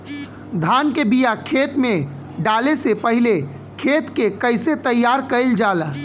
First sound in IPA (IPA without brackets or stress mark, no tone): d̪ʱ